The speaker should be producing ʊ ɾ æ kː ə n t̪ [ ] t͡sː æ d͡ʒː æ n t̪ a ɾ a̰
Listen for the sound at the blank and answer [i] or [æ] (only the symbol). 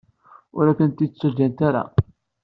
i